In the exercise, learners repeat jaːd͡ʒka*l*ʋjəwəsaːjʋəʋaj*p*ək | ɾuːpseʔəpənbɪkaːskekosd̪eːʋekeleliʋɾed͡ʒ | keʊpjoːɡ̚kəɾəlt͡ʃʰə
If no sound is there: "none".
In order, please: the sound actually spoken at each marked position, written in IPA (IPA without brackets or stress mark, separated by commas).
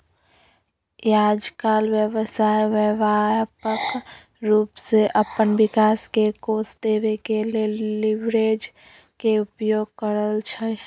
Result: l, p